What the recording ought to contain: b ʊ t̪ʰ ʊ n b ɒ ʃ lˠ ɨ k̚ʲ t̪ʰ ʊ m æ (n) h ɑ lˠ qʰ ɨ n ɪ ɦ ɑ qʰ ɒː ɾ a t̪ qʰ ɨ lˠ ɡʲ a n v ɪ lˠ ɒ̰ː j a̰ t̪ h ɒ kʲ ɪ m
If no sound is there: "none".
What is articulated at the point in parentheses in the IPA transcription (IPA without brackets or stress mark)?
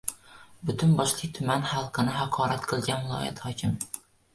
n